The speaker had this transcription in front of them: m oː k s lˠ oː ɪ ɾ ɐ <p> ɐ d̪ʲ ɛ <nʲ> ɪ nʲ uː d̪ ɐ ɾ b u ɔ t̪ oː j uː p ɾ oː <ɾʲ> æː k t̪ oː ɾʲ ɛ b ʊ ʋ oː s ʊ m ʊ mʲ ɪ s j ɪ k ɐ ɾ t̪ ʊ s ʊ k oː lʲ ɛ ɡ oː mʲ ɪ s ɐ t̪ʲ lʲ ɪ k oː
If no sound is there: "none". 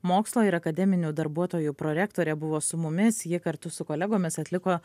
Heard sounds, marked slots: k, mʲ, ɾʲ

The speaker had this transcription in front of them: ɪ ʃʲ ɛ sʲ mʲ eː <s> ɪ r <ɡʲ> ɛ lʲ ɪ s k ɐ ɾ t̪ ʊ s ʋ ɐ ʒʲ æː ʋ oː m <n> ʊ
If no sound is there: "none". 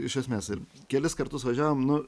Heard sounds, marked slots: s, kʲ, n

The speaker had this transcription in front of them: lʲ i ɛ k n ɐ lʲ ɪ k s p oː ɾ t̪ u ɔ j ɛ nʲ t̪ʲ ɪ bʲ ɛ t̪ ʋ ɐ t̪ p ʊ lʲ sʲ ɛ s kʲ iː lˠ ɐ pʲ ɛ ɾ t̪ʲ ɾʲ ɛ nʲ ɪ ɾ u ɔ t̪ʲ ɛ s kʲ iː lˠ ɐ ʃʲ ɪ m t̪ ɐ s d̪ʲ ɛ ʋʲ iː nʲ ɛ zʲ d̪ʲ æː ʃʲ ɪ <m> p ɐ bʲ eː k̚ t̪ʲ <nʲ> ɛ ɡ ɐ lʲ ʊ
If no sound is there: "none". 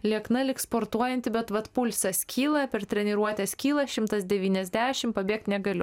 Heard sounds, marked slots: m, nʲ

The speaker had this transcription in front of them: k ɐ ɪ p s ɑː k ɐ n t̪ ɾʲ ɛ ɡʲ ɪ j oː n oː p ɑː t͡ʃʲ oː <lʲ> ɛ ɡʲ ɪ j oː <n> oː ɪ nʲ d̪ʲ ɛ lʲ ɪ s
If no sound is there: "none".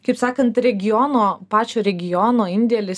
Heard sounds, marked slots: ɾʲ, n

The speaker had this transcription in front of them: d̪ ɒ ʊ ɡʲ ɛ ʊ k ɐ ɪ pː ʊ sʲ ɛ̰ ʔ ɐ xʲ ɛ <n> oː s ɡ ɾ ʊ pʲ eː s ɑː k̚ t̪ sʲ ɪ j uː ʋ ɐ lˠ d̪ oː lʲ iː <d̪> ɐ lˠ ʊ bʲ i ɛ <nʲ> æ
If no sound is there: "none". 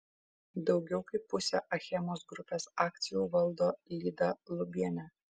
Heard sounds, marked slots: m, d̪, nʲ

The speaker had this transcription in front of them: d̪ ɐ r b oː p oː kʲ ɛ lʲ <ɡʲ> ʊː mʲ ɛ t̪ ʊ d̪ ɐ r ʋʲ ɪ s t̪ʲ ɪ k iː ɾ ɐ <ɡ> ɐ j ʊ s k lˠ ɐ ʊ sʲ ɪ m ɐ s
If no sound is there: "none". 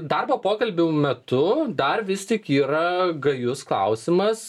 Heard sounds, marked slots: bʲ, ɡ

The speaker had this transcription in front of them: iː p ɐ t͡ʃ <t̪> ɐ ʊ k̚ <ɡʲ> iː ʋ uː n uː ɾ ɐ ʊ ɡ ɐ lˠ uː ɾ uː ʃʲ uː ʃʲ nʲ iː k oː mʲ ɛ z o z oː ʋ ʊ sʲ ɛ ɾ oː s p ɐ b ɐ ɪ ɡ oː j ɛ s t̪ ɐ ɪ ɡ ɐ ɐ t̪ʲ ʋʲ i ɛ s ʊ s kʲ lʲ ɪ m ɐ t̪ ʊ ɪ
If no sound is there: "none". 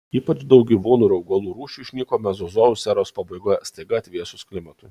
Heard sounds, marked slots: d̪, ɡʲ

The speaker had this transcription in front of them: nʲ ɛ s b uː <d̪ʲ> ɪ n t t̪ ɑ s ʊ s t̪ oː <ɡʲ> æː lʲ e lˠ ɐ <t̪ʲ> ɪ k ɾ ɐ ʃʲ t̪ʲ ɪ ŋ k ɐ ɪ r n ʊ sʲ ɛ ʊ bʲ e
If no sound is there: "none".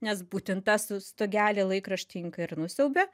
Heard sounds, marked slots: t̪ʲ, ɡʲ, none

